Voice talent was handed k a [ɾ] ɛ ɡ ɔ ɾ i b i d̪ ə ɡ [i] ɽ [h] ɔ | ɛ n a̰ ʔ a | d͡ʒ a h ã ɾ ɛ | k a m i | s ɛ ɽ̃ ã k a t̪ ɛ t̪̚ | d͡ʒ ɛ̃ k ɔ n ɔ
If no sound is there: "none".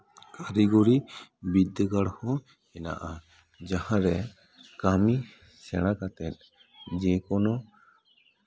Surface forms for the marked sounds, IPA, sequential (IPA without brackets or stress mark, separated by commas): ɾ, a, h